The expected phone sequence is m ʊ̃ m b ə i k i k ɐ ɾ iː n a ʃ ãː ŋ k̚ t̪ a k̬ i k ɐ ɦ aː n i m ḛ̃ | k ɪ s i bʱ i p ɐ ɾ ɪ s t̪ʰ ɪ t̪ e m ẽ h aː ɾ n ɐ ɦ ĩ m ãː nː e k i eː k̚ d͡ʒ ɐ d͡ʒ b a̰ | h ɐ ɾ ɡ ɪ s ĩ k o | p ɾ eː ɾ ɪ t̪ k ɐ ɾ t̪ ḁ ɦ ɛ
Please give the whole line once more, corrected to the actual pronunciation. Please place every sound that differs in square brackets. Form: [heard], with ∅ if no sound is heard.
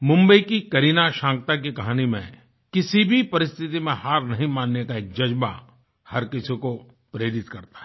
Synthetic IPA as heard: m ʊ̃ m b ə i k i k ɐ ɾ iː n a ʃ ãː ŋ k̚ t̪ a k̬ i k ɐ ɦ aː n i m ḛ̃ | k ɪ s i bʱ i p ɐ ɾ ɪ s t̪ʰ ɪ t̪ [i] m ẽ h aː ɾ n ɐ ɦ ĩ m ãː nː e k [a] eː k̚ d͡ʒ ɐ d͡ʒ b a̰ | h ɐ ɾ [k] ɪ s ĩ k o | p ɾ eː ɾ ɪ t̪ k ɐ ɾ t̪ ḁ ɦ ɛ